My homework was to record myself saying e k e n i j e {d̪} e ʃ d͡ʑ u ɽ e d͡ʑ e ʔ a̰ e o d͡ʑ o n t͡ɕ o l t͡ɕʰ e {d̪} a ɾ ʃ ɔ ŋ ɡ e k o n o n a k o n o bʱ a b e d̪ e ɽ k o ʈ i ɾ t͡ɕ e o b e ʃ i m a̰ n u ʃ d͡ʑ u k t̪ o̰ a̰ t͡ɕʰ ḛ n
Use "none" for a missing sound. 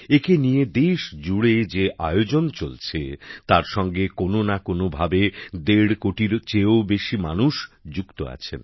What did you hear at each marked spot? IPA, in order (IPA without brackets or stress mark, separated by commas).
d̪, t̪